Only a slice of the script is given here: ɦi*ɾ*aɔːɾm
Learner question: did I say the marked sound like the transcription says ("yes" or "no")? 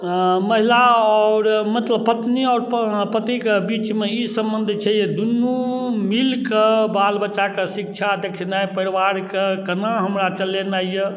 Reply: no